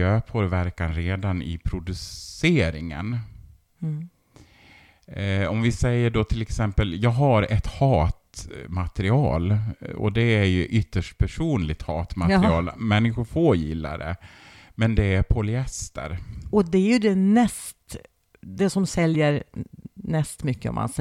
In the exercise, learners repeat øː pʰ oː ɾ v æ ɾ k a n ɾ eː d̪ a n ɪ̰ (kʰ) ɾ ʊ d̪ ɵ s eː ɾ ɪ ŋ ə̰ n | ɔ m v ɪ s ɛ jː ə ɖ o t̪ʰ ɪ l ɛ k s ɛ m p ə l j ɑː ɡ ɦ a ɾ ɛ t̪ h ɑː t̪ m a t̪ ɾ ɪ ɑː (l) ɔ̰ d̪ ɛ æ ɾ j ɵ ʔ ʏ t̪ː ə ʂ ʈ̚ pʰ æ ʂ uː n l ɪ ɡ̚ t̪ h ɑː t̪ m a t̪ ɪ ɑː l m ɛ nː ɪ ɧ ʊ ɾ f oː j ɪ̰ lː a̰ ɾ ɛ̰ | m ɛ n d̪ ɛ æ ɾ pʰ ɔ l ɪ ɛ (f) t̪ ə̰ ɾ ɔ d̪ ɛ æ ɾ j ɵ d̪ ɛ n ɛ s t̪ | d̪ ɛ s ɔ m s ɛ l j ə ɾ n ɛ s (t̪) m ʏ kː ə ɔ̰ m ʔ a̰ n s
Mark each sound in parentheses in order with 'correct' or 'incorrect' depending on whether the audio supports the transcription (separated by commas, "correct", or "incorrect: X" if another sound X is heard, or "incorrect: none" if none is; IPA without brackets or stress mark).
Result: incorrect: pʰ, correct, incorrect: s, correct